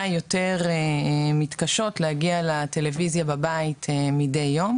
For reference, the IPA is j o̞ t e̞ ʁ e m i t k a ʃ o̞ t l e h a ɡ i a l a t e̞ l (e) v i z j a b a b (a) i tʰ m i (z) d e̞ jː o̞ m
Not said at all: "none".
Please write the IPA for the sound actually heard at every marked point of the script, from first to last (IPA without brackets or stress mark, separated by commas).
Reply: e, a, none